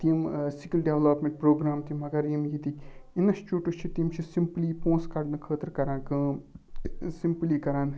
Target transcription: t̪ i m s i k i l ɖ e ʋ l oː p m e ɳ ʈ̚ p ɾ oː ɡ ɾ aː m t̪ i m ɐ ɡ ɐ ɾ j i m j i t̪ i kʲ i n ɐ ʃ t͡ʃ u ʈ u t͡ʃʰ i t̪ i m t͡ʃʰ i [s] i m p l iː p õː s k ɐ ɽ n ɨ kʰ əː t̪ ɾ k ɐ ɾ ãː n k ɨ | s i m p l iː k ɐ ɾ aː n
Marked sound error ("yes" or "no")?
no